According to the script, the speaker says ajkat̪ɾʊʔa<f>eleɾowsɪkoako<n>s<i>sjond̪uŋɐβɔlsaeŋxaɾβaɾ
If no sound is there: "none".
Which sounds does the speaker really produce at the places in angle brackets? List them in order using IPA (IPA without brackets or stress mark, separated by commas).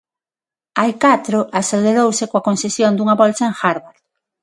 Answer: s, n, e